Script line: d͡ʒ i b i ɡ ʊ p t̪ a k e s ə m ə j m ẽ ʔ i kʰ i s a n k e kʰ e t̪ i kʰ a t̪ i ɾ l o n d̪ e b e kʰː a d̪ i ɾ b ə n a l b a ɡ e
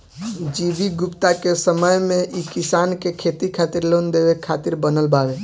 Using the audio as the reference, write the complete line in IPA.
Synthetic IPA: d͡ʒ i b i ɡ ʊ p t̪ a k e s ə m ə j m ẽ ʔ i k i s a n k e kʰ e t̪ i kʰ a t̪ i ɾ l o n d̪ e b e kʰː a t̪ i ɾ b ə n ə l b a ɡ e

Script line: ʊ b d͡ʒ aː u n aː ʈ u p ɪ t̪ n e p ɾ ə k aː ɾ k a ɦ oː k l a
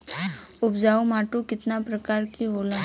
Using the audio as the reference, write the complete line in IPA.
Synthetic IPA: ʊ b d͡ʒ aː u m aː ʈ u k ɪ t̪ n a p ɾ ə k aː ɾ k i ɦ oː l a

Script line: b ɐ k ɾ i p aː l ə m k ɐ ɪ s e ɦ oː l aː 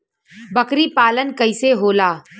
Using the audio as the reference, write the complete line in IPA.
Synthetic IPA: b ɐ k ɾ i p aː l ə n k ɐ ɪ s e ɦ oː l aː

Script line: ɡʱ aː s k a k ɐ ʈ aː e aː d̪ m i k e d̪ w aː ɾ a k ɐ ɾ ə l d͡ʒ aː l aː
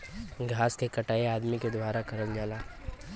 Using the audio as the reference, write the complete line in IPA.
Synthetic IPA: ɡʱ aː s k e k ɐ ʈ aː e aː d̪ m i k e d̪ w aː ɾ a k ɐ ɾ ə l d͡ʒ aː l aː

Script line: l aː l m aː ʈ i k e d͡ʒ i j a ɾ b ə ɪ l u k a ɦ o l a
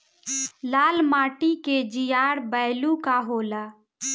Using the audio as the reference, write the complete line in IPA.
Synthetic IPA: l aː l m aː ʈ i k e d͡ʒ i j a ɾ b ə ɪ l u k a ɦ o l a

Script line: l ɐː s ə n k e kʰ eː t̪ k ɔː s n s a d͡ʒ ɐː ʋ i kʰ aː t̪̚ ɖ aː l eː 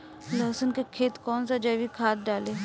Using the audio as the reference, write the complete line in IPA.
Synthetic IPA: l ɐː s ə n k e kʰ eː t̪ k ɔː n s a d͡ʒ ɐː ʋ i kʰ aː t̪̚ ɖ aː l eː

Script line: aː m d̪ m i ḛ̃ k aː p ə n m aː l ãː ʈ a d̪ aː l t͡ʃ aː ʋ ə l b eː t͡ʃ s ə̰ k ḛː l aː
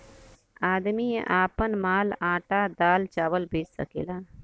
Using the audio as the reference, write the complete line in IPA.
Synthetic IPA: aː d̪ m i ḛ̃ ʔ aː p ə n m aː l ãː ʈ a d̪ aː l t͡ʃ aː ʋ ə l b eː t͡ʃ s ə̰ k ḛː l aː

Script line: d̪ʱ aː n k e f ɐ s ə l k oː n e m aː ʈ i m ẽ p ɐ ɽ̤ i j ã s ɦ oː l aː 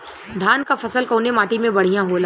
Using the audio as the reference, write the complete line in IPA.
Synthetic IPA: d̪ʱ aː n k a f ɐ s ə l k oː n e m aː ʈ i m ẽ b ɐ ɽ̤ i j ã ɦ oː l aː

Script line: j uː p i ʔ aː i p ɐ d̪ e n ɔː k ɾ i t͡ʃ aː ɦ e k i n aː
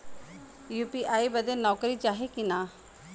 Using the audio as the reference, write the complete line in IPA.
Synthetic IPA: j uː p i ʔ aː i b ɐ d̪ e n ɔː k ɾ i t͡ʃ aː ɦ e k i n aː

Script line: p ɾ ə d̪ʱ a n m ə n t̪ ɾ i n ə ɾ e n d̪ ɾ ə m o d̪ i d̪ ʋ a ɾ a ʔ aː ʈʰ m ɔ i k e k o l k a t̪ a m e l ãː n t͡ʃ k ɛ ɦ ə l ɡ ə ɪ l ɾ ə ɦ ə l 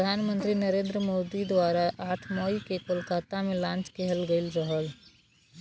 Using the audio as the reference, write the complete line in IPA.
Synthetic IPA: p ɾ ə d̪ʱ a n m ə n t̪ ɾ i n ə ɾ e n d̪ ɾ ə m o d̪ i d̪ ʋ a ɾ a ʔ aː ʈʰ m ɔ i k e k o l k a t̪ a m e l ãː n t͡ʃ k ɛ ɦ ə l ɡ ə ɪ l ɾ ə ɦ ə l

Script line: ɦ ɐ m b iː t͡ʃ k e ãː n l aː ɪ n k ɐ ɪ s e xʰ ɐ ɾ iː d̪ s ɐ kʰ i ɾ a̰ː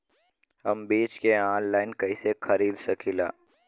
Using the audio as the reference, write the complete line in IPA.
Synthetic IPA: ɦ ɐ m b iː t͡ʃ k e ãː n l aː ɪ n k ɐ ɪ s e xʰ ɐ ɾ iː d̪ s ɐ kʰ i l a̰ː

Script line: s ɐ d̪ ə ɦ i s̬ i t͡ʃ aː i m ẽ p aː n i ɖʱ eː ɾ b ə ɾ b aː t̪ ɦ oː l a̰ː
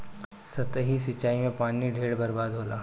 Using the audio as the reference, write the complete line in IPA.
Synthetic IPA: s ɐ t̪ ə ɦ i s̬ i t͡ʃ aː i m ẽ p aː n i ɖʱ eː ɽ b ɐ ɾ b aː d̪ ɦ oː l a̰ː

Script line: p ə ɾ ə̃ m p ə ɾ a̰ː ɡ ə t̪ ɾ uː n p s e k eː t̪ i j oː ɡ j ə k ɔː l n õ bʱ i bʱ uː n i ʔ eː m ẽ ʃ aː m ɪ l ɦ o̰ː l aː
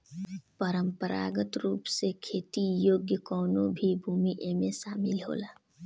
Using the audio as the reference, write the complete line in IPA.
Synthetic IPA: p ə ɾ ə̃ m p ə ɾ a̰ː ɡ ə t̪ ɾ uː p s e kʰ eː t̪ i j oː ɡ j ə k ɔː n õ bʱ i bʱ uː m i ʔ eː m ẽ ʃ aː m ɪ l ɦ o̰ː l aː

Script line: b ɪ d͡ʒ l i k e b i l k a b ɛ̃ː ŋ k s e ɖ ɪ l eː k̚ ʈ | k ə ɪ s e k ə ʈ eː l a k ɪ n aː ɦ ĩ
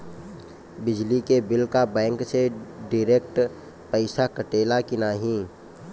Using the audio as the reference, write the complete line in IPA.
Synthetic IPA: b ɪ d͡ʒ l i k e b ɪ l k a b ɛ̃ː ŋ k s e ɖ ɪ ɾ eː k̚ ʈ | p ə ɪ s a k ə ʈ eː l a k ɪ n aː ɦ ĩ

